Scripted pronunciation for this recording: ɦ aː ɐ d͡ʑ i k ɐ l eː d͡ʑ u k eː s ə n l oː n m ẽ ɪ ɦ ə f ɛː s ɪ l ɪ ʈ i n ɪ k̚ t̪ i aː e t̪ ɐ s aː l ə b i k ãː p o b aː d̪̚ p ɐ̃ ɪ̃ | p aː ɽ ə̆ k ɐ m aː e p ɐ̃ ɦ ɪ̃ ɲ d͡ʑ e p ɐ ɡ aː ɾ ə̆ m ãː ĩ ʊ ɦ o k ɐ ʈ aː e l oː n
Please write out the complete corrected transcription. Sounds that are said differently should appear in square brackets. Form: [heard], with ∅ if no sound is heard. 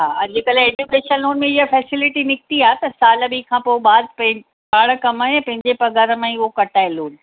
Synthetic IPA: ɦ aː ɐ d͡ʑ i k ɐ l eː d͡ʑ u k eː [ʃ] ə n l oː n m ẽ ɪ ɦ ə f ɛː s ɪ l ɪ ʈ i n ɪ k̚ t̪ i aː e t̪ ɐ s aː l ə b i [kʰ] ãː p o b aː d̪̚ p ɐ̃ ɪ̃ | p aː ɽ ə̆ k ɐ m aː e p ɐ̃ ɦ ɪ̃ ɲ d͡ʑ e p ɐ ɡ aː ɾ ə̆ m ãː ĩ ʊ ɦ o k ɐ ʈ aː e l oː n